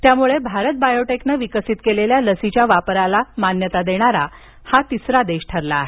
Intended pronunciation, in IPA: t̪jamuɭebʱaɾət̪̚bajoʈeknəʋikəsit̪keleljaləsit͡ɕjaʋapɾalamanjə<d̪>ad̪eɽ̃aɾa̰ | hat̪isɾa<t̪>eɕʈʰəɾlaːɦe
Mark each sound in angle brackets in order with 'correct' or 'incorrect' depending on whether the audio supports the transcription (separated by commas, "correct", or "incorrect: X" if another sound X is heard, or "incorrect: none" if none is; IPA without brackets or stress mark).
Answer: incorrect: t̪, incorrect: d̪